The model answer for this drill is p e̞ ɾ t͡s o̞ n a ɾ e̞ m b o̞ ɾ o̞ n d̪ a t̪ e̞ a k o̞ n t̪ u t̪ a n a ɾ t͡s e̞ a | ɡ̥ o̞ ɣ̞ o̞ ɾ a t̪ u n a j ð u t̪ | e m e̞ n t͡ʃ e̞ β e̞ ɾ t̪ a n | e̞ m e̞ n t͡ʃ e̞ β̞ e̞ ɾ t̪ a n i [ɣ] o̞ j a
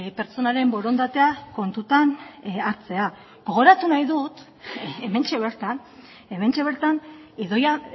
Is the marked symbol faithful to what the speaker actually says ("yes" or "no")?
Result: no